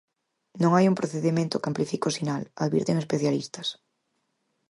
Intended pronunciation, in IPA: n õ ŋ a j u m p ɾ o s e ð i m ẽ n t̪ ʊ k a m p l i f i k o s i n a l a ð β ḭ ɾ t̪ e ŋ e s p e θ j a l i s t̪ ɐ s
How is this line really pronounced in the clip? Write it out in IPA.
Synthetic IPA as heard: n õ ŋ a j u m p ɾ o θ e ð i m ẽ n t̪ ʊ k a m p l i f i k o s i n a l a ð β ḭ ɾ t̪ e ŋ e s p e θ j a l i s t̪ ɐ s